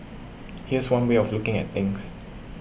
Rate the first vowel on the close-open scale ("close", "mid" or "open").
close